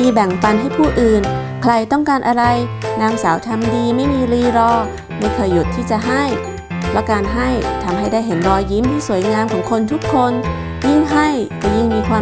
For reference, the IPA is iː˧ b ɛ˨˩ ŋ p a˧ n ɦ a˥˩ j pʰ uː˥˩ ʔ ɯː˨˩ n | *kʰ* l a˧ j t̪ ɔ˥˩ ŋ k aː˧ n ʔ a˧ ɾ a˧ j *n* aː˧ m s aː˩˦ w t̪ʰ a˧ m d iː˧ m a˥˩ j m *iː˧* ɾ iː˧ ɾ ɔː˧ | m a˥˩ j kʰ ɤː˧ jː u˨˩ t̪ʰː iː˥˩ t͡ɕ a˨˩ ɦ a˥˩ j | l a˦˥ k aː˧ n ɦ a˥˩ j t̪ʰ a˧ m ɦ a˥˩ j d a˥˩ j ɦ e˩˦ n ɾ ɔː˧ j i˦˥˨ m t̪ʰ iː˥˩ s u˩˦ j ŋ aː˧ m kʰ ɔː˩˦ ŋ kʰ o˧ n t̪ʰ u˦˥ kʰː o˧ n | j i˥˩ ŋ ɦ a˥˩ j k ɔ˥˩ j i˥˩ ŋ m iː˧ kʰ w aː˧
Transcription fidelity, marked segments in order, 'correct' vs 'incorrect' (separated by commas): correct, correct, correct